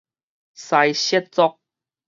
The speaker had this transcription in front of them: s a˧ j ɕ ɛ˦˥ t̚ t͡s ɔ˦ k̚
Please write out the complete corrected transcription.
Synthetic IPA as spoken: s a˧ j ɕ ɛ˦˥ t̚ t͡s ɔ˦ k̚